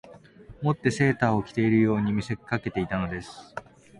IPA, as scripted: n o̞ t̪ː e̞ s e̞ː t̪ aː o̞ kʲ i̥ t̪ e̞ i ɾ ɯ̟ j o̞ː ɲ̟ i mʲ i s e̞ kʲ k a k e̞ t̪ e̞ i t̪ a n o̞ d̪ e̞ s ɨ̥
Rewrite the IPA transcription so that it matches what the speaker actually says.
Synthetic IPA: m o̞ t̪ː e̞ s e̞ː t̪ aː o̞ kʲ i̥ t̪ e̞ i ɾ ɯ̟ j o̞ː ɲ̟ i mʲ i s e̞ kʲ k a k e̞ t̪ e̞ i t̪ a n o̞ d̪ e̞ s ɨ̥